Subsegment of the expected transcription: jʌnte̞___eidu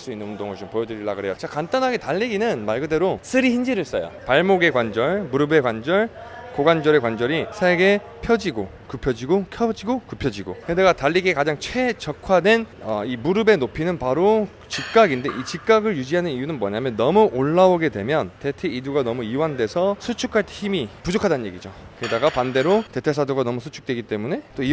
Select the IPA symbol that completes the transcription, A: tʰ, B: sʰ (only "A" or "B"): A